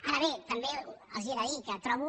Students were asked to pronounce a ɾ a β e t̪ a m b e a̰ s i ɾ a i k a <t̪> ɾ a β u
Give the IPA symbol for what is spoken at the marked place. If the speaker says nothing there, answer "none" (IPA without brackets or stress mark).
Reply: t̪